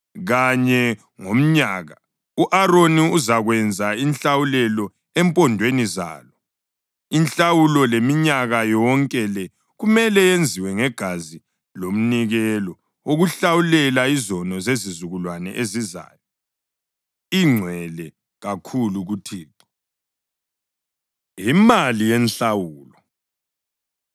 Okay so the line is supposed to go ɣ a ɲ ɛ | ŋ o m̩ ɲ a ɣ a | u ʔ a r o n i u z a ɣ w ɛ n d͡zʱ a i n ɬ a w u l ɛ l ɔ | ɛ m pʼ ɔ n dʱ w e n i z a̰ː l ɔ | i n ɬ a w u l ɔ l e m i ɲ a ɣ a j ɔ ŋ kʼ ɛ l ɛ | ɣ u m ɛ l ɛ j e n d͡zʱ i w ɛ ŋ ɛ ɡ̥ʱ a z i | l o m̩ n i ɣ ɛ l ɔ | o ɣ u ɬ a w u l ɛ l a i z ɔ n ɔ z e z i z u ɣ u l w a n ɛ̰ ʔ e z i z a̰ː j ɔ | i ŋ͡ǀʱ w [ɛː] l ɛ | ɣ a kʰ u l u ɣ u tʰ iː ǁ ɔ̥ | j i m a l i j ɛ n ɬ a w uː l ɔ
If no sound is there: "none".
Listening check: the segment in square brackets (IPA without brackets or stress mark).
ɛ